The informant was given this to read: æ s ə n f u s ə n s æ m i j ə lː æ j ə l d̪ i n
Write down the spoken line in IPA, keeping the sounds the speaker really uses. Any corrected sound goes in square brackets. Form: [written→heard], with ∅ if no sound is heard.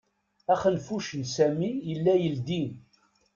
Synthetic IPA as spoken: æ [s→χ] ə n f u [s→ʃ] ə n s æ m i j ə lː æ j ə l d̪ i n

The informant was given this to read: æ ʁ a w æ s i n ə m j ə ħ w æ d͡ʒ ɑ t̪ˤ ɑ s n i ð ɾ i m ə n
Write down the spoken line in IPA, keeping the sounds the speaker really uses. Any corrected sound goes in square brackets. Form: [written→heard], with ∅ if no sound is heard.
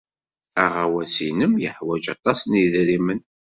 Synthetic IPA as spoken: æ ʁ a w æ s i n ə m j ə ħ w æ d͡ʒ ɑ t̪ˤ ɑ s n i ð ɾ i m ə n

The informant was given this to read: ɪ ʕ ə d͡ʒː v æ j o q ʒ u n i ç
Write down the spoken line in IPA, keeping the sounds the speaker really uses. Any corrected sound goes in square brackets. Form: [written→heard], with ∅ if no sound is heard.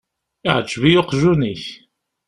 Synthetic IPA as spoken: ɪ ʕ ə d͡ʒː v [æ→i] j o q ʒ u n i ç

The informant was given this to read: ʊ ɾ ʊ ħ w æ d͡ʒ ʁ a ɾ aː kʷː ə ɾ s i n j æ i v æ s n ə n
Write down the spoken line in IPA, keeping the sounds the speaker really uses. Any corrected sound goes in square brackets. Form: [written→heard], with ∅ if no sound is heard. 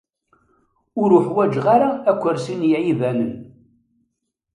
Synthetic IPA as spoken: ʊ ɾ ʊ ħ w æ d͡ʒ ʁ a ɾ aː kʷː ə ɾ s i n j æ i v æ [s→∅] n ə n

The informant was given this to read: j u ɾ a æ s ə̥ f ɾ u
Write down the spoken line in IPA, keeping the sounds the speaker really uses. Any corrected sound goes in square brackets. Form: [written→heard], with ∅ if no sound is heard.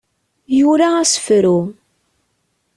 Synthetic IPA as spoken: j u ɾ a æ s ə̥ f ɾ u

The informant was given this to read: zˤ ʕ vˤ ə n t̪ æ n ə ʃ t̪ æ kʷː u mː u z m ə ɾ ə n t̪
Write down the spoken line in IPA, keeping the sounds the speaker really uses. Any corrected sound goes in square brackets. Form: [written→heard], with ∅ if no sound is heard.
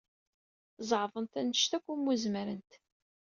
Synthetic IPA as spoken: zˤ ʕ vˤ ə n t̪ æ n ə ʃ t̪ æ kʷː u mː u z m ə ɾ ə n t̪

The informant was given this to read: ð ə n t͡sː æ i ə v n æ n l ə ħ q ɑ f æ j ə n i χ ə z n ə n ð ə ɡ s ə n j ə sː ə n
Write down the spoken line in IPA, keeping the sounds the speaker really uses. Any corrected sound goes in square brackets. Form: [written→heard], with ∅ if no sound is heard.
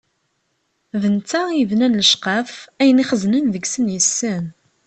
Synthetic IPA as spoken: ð ə n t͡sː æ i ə v n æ n l ə [ħ→ʃ] q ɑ f æ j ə n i χ ə z n ə n ð ə ɡ s ə n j ə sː ə n

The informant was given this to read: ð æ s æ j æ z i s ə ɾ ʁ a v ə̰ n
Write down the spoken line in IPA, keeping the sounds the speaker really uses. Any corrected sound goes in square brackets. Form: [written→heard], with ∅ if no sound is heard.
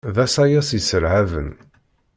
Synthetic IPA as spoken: ð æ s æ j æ [z→s] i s ə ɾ [ʁ→ʕ] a v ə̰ n

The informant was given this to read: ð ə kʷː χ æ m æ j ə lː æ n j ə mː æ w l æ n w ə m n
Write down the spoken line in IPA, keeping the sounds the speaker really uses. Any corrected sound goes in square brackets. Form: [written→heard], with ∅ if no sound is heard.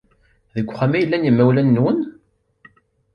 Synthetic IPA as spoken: ð ə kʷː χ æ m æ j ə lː æ n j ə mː æ w l æ [n→nː] w ə [m→∅] n

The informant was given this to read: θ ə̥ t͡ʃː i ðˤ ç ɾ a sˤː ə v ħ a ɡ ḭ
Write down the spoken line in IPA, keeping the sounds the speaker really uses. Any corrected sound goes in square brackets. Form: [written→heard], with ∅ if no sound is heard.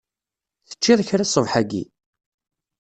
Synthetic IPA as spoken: θ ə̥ t͡ʃː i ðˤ ç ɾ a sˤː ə v ħ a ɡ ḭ

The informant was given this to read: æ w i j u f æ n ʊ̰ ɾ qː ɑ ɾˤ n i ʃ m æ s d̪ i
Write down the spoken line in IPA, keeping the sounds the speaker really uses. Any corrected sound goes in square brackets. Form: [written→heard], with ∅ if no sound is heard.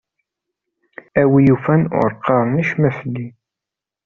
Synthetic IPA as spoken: æ w i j u f æ n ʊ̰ ɾ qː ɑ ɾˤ n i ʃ m æ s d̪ i

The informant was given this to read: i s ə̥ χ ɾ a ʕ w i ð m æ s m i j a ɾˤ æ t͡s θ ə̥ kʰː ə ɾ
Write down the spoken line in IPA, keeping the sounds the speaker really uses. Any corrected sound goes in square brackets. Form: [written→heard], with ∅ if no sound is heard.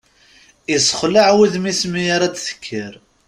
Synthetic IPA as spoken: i s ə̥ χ [ɾ→l] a ʕ w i ð m [æ→i] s m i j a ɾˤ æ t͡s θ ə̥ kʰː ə ɾ

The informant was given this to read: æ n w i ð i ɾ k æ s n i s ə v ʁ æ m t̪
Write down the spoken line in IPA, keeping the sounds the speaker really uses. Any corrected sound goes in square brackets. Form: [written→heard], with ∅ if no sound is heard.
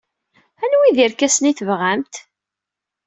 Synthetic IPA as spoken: æ n w i ð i ɾ k æ s n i [s→θ] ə v ʁ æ m t̪

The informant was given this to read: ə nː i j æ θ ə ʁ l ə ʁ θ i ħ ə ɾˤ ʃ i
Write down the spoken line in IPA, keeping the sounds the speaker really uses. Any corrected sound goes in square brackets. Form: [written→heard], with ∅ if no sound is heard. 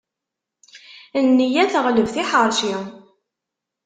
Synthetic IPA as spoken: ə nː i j æ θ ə ʁ l ə [ʁ→v] θ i ħ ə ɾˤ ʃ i

